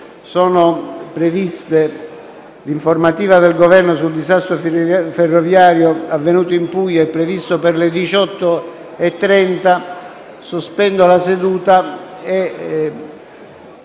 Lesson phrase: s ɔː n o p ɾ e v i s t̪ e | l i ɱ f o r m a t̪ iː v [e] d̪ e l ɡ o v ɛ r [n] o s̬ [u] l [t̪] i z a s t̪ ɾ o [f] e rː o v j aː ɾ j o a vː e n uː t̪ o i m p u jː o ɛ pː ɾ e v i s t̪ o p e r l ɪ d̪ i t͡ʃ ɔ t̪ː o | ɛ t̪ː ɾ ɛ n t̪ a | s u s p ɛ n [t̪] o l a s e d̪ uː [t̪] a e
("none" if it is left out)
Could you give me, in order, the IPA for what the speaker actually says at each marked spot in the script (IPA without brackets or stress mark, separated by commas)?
a, n, u, d̪, f, d̪, t̪